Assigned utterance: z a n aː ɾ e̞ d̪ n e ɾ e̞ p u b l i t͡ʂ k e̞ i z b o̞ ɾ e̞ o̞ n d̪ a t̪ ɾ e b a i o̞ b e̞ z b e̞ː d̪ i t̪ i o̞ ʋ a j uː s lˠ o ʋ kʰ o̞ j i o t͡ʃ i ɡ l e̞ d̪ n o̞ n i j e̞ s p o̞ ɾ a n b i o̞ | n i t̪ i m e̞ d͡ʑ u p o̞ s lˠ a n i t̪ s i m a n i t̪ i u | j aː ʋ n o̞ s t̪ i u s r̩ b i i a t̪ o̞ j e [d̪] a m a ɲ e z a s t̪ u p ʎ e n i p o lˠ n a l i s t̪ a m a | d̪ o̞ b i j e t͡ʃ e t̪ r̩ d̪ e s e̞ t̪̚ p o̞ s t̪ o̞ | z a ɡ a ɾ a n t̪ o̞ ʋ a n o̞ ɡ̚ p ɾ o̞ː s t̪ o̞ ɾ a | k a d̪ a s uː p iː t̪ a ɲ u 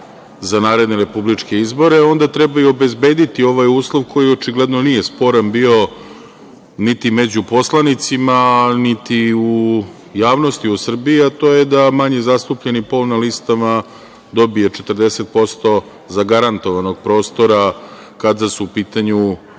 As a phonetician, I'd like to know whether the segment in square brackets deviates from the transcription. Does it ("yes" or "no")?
no